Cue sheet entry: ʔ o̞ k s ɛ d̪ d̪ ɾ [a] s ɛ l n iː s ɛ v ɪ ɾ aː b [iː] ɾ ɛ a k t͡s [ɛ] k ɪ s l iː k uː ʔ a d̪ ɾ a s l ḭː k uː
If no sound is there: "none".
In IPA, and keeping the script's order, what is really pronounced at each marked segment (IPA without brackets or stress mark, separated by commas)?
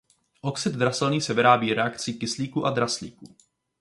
a, iː, i